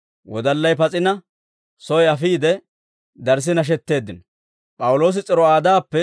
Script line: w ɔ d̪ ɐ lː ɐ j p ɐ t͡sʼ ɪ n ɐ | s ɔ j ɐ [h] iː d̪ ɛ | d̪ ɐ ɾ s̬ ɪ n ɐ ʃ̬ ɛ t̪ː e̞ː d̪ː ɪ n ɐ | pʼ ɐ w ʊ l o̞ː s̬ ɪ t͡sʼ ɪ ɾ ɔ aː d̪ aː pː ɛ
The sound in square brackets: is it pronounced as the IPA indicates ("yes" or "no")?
no